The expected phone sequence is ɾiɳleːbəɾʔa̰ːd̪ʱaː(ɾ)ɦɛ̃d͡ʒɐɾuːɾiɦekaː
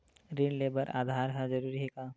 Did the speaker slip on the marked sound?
no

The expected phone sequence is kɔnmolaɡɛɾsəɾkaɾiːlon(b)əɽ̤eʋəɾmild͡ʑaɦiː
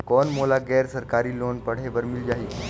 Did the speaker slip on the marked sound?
yes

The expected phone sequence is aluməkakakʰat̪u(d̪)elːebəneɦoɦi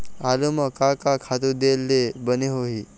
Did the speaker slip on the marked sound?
no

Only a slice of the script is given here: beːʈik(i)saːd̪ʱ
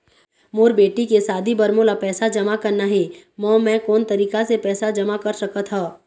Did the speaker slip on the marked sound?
yes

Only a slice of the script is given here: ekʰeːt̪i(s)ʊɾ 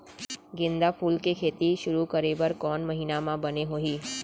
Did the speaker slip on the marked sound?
yes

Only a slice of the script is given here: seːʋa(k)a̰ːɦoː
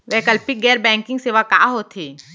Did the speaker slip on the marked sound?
no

